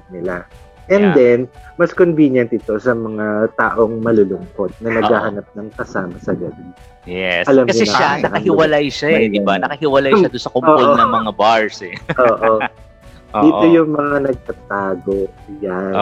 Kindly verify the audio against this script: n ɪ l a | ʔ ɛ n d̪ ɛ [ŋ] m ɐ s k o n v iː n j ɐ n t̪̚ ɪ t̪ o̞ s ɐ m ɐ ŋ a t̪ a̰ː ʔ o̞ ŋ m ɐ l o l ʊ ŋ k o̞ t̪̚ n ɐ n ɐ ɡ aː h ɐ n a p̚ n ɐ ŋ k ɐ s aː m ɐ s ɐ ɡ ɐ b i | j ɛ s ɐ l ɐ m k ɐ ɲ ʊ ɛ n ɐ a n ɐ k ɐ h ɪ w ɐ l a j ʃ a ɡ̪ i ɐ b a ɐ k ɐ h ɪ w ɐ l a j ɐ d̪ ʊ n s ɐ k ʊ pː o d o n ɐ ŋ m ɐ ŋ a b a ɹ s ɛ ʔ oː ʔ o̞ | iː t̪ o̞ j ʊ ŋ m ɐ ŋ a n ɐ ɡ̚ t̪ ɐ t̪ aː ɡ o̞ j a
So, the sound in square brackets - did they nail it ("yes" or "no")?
no